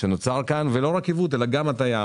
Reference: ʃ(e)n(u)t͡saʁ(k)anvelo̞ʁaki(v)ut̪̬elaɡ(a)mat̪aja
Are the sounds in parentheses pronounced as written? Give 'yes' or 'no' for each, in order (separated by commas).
yes, no, yes, yes, yes